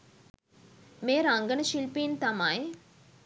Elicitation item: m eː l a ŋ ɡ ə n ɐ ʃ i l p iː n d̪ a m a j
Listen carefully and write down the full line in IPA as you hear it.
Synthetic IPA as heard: m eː ɾ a ŋ ɡ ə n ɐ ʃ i l p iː n t̪ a m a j